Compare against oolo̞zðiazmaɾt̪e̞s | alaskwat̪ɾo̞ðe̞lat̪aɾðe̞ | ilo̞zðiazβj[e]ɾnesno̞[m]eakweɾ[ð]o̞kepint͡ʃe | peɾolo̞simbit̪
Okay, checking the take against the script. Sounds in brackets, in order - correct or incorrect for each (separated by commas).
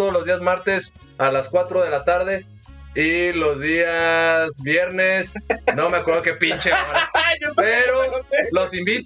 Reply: correct, correct, correct